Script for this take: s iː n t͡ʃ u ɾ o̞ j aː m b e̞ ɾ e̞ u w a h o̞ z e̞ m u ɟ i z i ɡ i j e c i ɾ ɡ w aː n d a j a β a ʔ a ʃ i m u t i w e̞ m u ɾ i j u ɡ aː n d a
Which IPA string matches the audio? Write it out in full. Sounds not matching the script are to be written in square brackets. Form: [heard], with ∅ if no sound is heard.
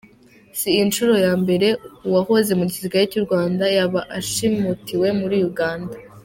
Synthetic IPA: s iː n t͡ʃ u ɾ o̞ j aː m b e̞ ɾ e̞ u w a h o̞ z e̞ m u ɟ i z i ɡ [a] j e c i ɾ ɡ w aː n d a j a β a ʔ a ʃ i m u t i w e̞ m u ɾ i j u ɡ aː n d a